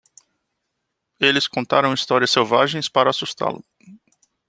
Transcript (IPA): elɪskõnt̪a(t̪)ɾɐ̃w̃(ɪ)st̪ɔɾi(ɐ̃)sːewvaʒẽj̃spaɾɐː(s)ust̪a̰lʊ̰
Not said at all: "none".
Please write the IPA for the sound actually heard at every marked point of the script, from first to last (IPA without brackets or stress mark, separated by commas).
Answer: none, i, ɐ, s